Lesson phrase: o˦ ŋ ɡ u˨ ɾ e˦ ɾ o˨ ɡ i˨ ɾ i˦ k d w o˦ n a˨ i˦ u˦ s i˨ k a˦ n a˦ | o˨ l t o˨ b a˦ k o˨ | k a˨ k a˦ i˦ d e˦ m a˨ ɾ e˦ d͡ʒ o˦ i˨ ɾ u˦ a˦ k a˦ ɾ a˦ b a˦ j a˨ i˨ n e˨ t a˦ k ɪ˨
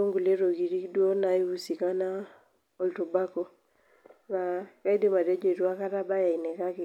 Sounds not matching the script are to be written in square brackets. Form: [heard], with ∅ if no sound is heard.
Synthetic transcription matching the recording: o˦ ŋ ɡ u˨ [l] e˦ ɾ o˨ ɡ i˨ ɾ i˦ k d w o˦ n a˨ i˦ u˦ s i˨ k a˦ n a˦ | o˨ l t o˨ b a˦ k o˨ | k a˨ k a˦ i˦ d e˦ m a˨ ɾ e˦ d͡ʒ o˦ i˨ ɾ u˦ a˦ k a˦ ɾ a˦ b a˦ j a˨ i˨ n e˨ [k] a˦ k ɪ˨

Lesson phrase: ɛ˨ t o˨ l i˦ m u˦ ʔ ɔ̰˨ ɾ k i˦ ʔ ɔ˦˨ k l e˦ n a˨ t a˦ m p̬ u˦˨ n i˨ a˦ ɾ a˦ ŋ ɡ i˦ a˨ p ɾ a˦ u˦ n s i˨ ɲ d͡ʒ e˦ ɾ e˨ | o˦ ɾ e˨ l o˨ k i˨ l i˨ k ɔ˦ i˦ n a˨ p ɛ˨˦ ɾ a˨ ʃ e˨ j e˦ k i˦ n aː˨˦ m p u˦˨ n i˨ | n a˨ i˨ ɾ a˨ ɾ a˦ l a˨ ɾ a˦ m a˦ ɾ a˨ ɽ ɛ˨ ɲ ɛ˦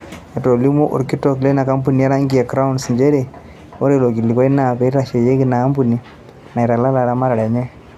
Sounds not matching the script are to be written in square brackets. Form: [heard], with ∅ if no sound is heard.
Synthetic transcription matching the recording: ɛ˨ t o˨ l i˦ m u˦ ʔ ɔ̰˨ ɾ k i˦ [t] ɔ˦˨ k l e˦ n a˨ [k] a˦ m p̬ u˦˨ n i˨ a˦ ɾ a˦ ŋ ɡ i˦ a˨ [k] ɾ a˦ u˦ n s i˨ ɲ d͡ʒ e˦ ɾ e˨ | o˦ ɾ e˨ l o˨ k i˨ l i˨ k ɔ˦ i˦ n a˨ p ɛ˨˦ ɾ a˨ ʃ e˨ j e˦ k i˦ n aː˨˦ m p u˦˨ n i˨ | n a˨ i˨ ɾ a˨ [l] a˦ l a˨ ɾ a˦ m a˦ ɾ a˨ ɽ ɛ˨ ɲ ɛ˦

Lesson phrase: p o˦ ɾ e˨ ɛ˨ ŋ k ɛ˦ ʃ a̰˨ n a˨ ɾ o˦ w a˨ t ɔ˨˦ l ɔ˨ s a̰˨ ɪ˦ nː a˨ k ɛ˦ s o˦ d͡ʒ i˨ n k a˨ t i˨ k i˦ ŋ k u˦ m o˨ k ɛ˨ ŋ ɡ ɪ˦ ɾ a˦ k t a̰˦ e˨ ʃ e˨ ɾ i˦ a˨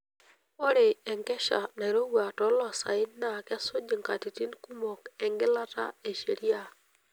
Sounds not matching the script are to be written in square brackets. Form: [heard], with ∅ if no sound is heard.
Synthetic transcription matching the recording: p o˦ ɾ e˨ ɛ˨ ŋ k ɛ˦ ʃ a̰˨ n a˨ ɾ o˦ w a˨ t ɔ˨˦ l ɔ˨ s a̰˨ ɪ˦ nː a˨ k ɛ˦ s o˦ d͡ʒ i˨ [ŋ] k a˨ t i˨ [t] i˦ [n] k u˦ m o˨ k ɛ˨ ŋ ɡ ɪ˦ [l] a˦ [∅] t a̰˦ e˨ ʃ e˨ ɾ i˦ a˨

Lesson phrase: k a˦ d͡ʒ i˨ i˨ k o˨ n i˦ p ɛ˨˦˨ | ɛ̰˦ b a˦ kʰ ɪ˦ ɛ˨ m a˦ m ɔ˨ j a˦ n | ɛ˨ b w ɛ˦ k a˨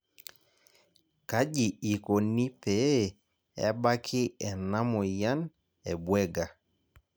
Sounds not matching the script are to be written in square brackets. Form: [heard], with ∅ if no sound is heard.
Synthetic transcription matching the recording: k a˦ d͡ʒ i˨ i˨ k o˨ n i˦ p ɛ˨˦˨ | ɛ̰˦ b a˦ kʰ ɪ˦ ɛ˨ [n] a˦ m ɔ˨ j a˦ n | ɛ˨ b w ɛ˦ [ɡ] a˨

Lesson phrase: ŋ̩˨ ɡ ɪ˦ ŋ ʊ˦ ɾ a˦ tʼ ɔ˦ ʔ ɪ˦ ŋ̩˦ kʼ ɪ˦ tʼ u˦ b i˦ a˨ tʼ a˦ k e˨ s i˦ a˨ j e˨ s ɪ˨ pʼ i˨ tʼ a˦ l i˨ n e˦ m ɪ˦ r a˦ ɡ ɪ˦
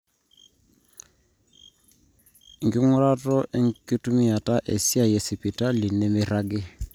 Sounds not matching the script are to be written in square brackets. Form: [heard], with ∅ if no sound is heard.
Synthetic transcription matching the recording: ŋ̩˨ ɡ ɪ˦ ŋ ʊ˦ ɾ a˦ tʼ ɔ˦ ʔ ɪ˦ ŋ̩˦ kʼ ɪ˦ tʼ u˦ [m] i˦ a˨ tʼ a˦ [ʔ] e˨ s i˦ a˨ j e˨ s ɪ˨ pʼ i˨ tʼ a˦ l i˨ n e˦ m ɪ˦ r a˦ ɡ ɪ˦

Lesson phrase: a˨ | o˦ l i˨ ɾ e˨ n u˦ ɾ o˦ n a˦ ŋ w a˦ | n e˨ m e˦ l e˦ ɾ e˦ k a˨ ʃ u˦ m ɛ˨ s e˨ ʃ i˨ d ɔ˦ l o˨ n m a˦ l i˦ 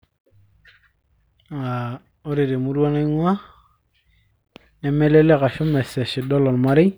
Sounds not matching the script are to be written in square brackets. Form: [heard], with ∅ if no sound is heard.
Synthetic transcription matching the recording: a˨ | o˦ [ɾ] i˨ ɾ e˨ [m] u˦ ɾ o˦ n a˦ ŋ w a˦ | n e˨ m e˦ l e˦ [l] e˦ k a˨ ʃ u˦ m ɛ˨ s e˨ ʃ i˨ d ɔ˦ l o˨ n m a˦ [ɾ] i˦

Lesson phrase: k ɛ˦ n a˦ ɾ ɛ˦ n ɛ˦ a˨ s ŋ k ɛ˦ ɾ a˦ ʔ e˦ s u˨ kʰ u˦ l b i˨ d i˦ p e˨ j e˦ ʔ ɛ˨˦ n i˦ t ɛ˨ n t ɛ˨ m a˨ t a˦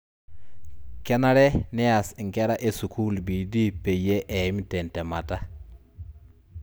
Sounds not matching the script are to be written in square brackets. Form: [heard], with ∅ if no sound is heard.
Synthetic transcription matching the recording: k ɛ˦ n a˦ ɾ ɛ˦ n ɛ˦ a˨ s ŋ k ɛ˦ ɾ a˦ ʔ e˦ s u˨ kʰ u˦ l b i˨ d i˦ p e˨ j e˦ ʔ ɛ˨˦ [m] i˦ t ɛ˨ n t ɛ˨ m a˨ t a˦

